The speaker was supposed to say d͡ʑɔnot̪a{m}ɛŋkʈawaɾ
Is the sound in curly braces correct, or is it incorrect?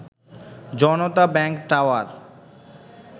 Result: incorrect